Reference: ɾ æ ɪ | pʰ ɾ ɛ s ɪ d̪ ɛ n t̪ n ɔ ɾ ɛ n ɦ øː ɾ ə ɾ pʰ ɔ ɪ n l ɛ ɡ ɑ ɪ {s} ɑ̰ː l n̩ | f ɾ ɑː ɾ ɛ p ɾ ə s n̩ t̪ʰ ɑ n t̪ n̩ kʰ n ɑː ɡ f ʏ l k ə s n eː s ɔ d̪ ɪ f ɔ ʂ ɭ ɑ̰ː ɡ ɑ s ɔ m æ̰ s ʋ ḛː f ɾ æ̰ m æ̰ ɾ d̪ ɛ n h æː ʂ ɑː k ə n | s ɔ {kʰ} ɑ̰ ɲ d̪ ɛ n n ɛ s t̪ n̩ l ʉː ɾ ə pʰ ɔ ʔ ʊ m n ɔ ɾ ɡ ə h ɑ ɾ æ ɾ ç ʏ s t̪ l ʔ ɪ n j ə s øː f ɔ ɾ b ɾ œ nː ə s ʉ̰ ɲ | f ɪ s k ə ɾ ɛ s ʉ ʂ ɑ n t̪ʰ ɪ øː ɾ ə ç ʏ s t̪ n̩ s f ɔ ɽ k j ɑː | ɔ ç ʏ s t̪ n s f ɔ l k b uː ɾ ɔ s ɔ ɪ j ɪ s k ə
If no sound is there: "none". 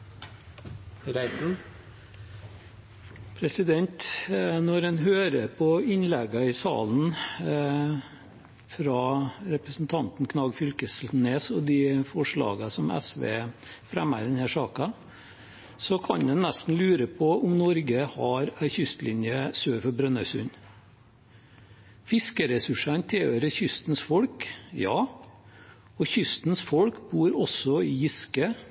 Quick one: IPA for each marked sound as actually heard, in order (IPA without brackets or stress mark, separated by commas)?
s, kʰ